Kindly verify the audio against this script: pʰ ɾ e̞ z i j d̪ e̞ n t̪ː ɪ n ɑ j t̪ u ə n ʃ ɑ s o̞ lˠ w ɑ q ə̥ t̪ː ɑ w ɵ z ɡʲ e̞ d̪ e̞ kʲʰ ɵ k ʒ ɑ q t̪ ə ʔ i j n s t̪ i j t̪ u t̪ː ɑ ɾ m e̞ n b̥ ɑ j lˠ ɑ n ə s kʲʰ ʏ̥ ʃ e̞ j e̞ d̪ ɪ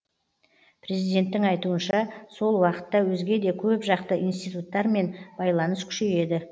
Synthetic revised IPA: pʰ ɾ e̞ z i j d̪ e̞ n t̪ː ɪ ŋ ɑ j t̪ u ə n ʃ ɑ s o̞ lˠ w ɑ q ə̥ t̪ː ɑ w ɵ z ɡʲ e̞ d̪ e̞ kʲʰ ɵ p ʒ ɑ q t̪ ə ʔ i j n s t̪ i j t̪ u t̪ː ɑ ɾ m e̞ n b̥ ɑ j lˠ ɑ n ə s kʲʰ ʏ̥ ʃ e̞ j e̞ d̪ ɪ